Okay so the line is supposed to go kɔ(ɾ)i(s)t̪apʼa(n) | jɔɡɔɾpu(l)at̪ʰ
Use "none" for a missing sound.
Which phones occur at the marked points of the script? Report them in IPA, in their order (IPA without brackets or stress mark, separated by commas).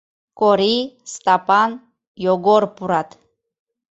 ɾ, s, n, ɾ